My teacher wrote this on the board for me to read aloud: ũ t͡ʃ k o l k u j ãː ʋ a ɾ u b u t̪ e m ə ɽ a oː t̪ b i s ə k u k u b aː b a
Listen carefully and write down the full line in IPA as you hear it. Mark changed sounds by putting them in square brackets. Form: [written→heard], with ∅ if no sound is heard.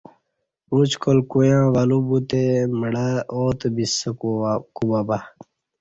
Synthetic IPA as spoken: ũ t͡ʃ k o l k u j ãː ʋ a [ɾ→l] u b u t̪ e m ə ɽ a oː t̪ b i s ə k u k u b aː b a

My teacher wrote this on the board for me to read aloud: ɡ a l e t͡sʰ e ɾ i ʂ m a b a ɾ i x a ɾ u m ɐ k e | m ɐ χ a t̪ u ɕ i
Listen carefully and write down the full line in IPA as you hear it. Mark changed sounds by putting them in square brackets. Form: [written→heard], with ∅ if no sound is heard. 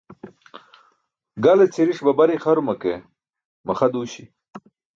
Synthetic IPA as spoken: ɡ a l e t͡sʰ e ɾ i ʂ [m→b] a b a ɾ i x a ɾ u m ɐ k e | m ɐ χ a [t̪→d̪] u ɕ i

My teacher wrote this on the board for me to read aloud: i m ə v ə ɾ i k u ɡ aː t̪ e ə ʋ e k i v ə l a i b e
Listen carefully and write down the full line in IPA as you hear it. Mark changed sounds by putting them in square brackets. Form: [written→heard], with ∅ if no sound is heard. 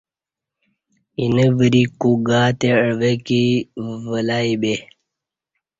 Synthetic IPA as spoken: i [m→n] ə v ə ɾ i k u ɡ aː t̪ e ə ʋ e k i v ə l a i b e

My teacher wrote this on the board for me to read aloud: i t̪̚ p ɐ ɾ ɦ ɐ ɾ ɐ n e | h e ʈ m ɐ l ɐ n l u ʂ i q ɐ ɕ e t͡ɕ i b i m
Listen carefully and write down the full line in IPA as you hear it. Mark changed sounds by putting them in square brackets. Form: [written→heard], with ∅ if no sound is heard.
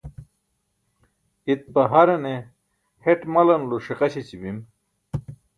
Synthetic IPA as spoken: i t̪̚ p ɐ [ɾ→∅] ɦ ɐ ɾ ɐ n e | h e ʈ m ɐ l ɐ n l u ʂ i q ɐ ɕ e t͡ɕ i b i m

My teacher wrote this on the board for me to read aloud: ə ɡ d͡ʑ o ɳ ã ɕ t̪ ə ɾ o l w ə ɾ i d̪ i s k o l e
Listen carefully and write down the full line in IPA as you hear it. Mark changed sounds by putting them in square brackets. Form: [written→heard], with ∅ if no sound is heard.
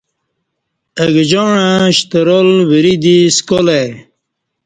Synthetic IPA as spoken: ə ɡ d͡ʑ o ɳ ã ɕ t̪ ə ɾ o l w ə ɾ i d̪ i s k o l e

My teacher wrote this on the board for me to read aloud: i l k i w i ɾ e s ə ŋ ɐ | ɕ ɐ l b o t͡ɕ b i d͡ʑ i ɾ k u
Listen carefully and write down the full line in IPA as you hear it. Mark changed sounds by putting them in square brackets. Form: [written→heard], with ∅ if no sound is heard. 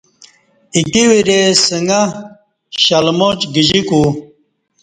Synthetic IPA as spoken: i [l→∅] k i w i ɾ e s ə ŋ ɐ | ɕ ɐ l [b→m] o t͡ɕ [b→ɡ] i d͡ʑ i [ɾ→∅] k u

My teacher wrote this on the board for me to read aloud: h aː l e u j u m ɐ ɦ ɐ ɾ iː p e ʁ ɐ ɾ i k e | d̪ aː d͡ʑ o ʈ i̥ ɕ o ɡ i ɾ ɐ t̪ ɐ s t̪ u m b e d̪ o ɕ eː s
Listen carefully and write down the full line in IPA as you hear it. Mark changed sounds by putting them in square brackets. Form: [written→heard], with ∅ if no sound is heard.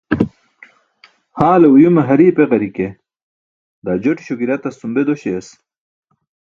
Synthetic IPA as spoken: h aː l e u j u m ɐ ɦ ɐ ɾ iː p e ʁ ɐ ɾ i k e | d̪ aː d͡ʑ o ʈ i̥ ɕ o ɡ i ɾ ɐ t̪ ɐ s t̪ u m b e d̪ o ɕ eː s

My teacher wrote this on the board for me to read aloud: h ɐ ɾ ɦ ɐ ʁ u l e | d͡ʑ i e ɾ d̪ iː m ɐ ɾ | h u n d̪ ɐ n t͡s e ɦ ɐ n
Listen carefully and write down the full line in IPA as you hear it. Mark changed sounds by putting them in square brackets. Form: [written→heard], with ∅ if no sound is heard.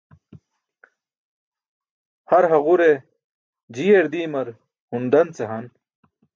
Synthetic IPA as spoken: h ɐ ɾ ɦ ɐ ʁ u [l→ɾ] e | d͡ʑ i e ɾ d̪ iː m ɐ ɾ | h u n d̪ ɐ n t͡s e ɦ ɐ n

